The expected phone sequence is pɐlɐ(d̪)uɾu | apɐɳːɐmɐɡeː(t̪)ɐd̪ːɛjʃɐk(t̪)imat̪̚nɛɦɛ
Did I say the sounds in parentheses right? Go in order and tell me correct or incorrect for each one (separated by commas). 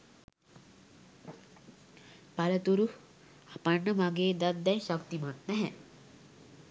incorrect, incorrect, correct